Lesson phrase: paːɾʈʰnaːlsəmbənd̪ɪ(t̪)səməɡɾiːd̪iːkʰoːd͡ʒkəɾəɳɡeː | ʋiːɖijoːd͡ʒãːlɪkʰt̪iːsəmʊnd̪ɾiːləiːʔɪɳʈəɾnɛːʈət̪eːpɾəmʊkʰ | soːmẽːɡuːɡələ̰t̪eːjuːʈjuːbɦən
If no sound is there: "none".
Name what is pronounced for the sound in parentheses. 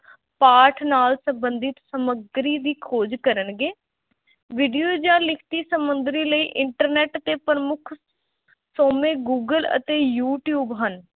t̪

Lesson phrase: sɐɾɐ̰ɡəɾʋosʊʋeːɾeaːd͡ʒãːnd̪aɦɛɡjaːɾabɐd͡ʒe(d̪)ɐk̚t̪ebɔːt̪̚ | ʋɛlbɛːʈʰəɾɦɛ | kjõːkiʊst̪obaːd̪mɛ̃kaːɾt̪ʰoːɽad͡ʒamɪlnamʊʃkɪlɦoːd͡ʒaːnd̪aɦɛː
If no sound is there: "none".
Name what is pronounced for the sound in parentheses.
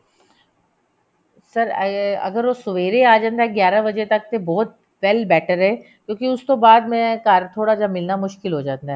t̪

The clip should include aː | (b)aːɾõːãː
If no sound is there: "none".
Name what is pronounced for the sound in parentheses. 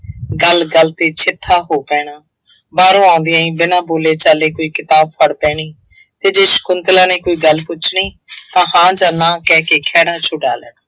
b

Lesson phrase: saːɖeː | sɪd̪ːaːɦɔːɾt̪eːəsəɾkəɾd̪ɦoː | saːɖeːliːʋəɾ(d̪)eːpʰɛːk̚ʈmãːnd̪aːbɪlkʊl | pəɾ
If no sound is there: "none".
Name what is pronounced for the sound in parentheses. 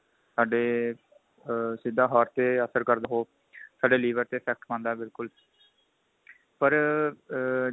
t̪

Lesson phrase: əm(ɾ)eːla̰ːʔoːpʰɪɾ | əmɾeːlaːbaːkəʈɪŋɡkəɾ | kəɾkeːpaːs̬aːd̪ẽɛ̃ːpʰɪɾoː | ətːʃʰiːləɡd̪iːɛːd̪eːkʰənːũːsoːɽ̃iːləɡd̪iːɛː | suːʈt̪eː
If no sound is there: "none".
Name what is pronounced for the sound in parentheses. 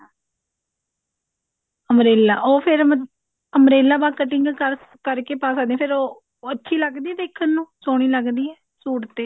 ɾ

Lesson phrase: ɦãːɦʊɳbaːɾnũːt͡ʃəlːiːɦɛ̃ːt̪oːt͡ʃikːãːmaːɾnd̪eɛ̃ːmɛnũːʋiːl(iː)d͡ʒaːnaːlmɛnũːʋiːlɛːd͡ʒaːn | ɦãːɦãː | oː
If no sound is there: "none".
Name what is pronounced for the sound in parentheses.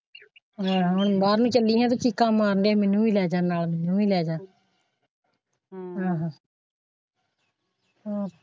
ɛː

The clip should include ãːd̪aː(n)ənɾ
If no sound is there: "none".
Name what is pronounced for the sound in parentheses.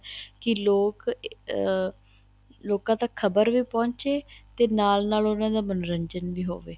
m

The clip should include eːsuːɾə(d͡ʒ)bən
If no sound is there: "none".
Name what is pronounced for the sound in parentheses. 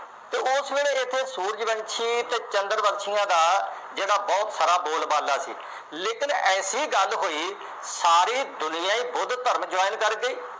d͡ʒ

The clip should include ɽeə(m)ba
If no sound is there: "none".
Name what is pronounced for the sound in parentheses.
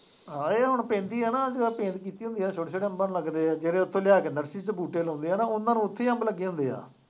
m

